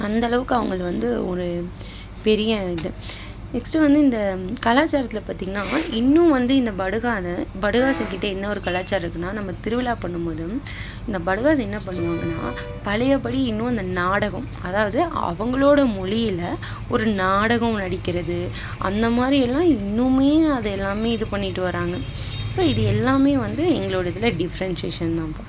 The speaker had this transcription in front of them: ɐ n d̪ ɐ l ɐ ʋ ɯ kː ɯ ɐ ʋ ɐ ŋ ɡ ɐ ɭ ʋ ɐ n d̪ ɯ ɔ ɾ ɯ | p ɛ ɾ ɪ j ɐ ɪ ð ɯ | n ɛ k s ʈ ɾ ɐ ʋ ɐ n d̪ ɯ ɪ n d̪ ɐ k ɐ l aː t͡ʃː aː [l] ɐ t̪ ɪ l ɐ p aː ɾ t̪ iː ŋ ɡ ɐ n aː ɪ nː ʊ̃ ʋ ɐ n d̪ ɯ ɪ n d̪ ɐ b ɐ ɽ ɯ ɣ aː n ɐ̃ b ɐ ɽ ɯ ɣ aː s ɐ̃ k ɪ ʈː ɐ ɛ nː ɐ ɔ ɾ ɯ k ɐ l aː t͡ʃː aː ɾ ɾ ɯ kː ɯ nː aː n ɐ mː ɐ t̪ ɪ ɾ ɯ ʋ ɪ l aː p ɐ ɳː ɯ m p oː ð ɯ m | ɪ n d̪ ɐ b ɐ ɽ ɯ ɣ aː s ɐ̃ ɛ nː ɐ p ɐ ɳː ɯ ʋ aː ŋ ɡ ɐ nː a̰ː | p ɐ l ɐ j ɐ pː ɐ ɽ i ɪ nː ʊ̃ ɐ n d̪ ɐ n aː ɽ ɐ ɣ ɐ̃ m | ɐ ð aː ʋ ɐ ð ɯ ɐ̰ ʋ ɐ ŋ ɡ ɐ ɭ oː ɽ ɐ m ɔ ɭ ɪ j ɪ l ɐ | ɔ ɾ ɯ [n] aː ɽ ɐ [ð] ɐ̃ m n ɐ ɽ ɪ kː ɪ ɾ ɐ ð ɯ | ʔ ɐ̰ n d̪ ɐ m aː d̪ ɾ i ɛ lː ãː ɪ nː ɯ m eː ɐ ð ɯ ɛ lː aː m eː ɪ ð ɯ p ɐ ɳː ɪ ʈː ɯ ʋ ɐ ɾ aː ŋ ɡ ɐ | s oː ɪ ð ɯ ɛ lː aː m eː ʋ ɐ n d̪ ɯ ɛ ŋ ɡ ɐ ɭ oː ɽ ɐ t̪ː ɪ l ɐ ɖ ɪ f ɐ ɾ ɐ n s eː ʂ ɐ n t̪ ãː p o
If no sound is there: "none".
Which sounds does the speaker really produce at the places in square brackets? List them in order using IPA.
ɾ, n, ɣ

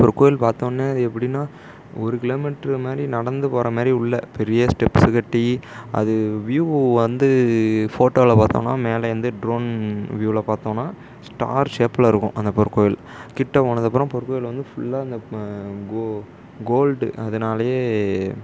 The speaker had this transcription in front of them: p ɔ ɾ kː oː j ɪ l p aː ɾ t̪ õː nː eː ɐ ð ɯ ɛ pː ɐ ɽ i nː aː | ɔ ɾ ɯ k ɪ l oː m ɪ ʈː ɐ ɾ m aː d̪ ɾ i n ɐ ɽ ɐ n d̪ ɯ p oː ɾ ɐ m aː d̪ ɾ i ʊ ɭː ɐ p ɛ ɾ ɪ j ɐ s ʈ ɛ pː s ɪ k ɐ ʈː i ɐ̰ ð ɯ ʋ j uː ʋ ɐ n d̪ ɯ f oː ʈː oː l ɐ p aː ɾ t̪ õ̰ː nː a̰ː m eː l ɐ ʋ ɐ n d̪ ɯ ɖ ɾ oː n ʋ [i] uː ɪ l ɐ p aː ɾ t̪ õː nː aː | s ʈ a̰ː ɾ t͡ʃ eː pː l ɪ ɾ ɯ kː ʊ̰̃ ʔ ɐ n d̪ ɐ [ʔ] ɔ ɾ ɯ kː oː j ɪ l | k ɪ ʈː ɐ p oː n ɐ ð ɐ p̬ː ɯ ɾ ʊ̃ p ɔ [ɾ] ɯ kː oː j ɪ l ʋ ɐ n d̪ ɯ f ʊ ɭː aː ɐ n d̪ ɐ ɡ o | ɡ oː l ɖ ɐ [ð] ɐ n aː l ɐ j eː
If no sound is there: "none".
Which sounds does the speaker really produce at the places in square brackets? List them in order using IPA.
j, p, ɾ, ð

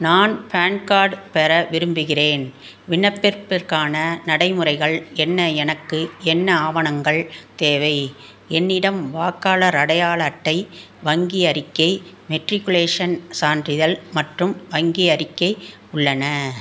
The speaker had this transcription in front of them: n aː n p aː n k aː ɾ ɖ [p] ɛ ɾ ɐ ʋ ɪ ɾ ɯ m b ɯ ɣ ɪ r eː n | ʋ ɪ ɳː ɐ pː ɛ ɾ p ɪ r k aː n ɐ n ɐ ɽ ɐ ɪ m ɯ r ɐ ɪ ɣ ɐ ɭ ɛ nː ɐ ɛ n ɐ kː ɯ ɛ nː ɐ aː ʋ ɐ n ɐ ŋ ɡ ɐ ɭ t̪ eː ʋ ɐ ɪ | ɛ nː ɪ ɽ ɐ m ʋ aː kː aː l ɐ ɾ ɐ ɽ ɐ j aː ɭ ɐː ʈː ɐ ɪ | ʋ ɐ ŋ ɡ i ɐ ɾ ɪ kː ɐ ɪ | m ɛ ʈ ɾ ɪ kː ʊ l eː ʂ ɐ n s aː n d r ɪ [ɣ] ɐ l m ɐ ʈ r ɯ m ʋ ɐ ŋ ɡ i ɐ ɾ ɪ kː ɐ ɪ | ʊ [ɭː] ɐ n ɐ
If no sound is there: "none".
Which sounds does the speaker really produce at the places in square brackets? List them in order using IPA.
p, ð, ɭː

